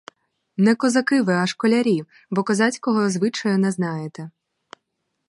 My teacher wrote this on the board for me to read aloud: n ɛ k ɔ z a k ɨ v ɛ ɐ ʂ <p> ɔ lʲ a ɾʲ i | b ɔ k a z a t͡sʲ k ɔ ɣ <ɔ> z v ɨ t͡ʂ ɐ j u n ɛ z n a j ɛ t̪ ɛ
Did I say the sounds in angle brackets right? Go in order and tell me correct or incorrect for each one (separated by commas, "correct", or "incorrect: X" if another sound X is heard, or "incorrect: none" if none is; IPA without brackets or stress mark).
incorrect: k, correct